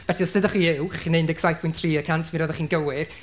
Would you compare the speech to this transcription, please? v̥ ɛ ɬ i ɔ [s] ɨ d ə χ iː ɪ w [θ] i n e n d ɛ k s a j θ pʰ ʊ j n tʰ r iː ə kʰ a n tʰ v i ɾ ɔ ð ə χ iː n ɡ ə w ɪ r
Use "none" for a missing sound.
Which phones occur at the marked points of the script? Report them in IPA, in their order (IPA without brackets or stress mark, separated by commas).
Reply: s, χ